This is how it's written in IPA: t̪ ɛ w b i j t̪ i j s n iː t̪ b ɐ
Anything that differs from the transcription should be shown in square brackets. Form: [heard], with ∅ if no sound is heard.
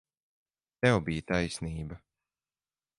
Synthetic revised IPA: t̪ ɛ w b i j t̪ [a] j s n iː [∅] b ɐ